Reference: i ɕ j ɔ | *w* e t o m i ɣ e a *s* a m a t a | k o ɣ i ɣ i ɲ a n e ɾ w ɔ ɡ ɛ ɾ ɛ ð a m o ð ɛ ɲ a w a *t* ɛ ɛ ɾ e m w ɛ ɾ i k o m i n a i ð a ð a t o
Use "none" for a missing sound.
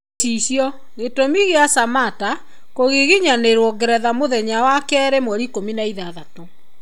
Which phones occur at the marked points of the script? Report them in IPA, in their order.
ɣ, s, k

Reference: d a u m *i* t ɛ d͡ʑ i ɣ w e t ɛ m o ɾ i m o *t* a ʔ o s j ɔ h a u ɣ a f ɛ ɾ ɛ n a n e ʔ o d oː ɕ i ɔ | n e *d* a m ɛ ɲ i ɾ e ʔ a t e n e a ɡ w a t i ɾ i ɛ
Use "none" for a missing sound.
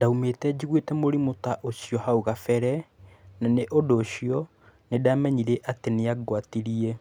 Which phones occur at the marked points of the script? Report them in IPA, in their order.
e, t, d

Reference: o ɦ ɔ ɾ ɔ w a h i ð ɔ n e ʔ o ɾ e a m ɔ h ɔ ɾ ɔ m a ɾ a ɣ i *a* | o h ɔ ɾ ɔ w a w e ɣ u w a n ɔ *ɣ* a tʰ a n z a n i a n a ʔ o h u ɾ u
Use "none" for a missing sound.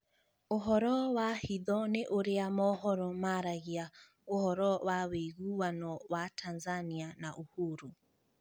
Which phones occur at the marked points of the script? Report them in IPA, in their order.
a, w

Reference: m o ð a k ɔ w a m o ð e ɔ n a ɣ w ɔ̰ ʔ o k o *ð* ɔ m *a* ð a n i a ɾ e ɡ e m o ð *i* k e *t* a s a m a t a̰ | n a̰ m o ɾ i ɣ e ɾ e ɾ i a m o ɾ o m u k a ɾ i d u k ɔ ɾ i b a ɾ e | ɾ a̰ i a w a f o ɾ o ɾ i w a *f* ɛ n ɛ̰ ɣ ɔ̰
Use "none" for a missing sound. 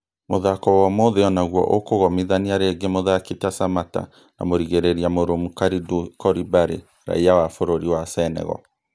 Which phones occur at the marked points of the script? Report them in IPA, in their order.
ɣ, i, a, t, s

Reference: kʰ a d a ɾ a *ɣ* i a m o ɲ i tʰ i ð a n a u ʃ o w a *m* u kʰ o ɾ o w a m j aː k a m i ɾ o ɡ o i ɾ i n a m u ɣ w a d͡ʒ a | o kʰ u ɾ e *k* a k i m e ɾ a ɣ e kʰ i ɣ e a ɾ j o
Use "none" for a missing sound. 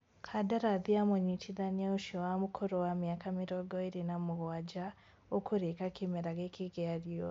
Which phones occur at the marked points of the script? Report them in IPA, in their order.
ð, m, k

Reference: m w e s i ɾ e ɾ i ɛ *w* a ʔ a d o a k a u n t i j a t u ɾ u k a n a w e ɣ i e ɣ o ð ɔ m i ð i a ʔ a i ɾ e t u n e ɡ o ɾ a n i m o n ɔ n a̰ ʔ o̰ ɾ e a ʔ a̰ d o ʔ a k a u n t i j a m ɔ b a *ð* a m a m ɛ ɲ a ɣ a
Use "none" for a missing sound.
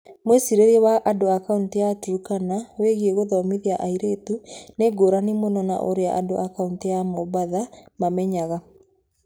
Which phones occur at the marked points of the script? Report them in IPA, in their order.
w, ð

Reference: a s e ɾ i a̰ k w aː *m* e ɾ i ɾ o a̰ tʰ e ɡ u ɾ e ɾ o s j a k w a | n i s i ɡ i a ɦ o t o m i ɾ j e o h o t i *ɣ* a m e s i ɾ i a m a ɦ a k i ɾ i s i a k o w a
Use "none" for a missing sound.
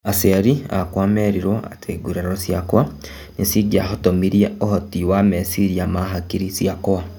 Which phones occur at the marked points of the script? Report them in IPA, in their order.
m, w

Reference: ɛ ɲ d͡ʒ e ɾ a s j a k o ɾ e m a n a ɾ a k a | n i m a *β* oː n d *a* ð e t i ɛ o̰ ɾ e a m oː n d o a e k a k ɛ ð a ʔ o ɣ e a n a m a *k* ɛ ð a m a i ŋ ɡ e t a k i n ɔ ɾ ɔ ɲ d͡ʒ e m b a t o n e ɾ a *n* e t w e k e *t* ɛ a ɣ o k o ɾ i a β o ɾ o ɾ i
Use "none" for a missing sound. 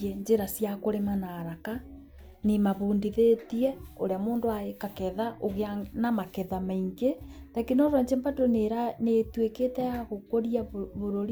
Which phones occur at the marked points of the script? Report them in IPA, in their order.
β, i, k, n, t

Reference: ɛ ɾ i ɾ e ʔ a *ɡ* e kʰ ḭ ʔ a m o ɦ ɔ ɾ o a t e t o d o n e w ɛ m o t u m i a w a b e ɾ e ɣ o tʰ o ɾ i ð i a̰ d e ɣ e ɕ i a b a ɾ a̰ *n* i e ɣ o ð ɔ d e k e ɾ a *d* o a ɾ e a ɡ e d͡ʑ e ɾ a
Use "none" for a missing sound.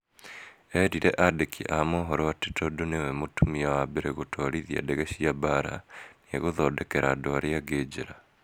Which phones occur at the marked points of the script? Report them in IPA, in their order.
d, n, d

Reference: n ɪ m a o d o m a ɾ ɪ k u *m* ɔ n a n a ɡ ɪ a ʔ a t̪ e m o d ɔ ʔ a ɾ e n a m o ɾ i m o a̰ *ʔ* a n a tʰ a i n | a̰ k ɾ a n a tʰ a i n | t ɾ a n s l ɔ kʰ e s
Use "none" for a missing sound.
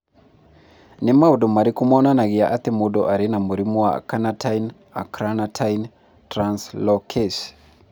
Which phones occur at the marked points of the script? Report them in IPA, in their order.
m, k

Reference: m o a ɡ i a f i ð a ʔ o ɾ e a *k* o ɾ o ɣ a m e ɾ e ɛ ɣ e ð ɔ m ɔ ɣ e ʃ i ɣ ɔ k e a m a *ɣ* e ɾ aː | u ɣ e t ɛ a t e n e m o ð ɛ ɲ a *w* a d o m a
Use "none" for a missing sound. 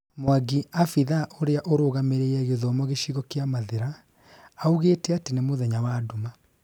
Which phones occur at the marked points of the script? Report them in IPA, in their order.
ʔ, ð, w

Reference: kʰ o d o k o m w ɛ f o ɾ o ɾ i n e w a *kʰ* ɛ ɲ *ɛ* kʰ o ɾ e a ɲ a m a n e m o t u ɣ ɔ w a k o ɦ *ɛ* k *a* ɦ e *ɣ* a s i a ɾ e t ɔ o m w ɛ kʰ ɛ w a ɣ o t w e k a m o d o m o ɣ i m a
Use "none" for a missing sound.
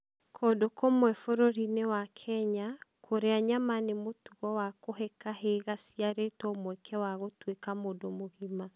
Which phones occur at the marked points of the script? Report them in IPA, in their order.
kʰ, a, ɛ, a, ɣ

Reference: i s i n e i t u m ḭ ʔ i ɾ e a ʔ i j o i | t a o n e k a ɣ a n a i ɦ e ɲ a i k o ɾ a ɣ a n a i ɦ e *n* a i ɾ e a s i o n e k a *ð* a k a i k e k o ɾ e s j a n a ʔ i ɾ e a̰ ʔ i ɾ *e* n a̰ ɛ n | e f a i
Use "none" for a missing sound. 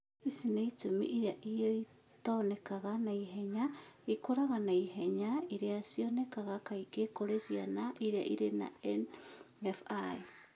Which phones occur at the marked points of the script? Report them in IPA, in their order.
ɲ, ɣ, e

